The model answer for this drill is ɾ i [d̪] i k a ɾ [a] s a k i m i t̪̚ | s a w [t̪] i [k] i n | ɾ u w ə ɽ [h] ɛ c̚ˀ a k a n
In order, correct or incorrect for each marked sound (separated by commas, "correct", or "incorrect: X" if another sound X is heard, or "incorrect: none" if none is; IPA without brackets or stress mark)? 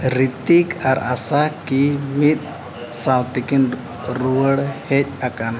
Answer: incorrect: t̪, correct, correct, correct, correct